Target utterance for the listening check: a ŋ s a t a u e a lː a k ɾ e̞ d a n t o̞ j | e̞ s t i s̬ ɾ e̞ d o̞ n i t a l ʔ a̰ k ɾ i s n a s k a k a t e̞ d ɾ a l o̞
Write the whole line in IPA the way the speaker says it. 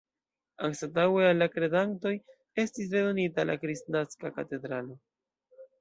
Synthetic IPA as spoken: a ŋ s a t a w e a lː a k ɾ e̞ d a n t o̞ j | e̞ s t i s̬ ɾ e̞ d o̞ n i t a l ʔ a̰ k ɾ i s n a s k a k a t e̞ d ɾ a l o̞